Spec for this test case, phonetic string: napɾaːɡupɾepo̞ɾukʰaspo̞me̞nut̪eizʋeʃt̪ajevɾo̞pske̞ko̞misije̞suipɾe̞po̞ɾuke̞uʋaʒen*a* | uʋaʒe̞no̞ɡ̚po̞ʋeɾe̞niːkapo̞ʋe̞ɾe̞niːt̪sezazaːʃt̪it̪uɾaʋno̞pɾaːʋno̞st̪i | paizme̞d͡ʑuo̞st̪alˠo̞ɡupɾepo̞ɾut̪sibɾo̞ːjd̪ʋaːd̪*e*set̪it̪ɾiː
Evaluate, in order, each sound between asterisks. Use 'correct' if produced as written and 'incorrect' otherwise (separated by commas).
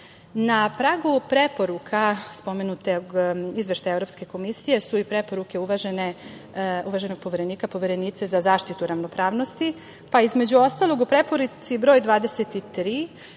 incorrect, correct